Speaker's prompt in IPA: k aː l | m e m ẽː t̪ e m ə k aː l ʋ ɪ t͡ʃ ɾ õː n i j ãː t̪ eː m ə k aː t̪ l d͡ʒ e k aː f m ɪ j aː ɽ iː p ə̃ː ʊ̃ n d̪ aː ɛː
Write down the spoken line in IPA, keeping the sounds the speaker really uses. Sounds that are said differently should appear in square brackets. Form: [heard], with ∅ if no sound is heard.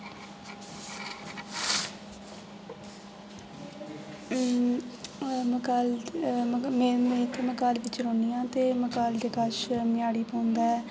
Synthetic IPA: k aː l | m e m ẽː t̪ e m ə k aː l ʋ ɪ t͡ʃ ɾ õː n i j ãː t̪ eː m ə k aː [∅] l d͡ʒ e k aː [ʃ] m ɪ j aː ɽ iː p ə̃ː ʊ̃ n d̪ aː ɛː